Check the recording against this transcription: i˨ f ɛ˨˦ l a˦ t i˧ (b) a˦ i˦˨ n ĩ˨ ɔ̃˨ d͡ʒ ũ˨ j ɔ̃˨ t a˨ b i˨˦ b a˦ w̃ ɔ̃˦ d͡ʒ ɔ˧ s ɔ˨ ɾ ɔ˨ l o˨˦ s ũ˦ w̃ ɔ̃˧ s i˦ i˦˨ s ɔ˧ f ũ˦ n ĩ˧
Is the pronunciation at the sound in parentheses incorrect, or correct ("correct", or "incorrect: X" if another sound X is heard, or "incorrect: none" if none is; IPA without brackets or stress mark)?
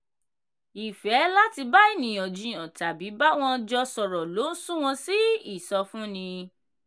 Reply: correct